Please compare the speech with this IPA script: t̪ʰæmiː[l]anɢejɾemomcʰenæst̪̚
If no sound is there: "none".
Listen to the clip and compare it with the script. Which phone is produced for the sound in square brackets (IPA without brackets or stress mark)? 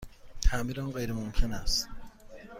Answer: ɾ